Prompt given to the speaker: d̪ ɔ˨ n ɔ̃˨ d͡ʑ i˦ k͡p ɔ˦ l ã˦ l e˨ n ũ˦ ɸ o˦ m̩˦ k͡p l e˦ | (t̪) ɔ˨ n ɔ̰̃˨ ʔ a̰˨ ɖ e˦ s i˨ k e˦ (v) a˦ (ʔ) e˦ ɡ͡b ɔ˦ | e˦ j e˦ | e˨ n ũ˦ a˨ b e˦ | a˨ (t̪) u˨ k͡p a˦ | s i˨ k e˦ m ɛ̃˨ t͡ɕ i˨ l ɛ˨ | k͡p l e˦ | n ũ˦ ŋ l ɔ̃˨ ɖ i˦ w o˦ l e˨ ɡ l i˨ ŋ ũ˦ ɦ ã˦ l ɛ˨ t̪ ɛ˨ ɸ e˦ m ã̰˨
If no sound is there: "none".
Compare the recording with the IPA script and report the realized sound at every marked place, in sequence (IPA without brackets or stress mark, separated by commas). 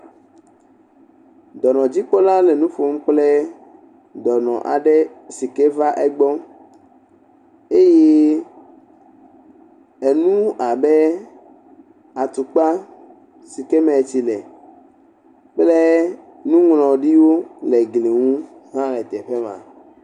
d̪, v, ʔ, t̪